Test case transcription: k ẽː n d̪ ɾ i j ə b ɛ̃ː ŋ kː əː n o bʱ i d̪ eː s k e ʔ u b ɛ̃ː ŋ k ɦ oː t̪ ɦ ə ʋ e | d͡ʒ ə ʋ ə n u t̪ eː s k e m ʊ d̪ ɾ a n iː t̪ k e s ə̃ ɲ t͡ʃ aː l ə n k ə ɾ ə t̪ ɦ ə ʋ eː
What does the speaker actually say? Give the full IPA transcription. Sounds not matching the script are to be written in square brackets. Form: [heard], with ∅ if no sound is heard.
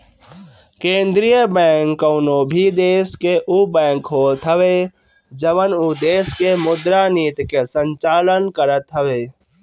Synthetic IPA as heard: k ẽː n d̪ ɾ i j ə b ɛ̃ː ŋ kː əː n o bʱ i d̪ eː s k e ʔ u b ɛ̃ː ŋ k ɦ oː t̪ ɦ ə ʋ e | d͡ʒ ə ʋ ə n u [d̪] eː s k e m ʊ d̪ ɾ a n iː t̪ k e s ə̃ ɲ t͡ʃ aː l ə n k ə ɾ ə t̪ ɦ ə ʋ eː